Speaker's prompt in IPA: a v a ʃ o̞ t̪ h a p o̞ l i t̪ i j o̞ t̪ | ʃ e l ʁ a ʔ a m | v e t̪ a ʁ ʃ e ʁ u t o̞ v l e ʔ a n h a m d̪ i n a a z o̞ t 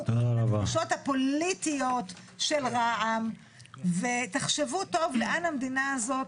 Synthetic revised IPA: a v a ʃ o̞ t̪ h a p o̞ l i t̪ i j o̞ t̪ | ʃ e l ʁ a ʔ a m | v e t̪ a χ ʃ e v u t o̞ v l e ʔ a n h a m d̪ i n a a z o̞ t